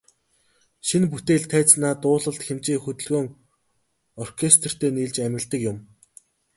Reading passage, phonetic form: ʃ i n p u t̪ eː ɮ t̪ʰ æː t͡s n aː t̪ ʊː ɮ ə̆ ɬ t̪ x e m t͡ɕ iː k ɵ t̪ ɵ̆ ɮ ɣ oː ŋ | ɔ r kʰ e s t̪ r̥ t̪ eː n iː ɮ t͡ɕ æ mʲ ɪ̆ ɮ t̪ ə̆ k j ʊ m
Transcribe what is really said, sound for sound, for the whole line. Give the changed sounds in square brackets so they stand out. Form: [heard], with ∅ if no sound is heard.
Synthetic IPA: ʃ i n p u t̪ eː ɮ t̪ʰ æː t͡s n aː t̪ ʊː ɮ ə̆ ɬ t̪ x e m t͡ɕ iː [x] ɵ t̪ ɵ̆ ɮ ɣ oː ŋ | ɔ r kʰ e s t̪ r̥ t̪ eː n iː ɮ t͡ɕ æ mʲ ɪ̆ ɮ t̪ ə̆ k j ʊ m